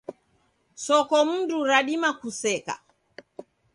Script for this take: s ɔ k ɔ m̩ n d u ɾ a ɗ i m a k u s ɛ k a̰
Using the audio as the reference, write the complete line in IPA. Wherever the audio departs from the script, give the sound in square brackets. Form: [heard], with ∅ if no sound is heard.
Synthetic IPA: s ɔ k ɔ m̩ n d u ɾ a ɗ i m a k u s ɛ k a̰